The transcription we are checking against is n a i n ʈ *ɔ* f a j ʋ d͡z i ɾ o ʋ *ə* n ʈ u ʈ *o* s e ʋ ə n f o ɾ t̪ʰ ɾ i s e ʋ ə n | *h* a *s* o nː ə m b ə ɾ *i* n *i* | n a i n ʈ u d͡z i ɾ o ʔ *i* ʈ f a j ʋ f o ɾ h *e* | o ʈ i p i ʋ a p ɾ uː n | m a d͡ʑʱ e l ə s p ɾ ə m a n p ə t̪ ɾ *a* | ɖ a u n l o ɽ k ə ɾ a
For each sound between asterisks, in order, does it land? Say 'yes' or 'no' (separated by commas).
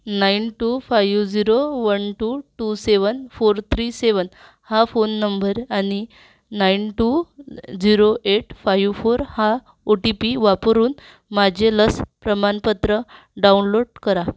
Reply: no, yes, no, yes, no, no, yes, no, no, no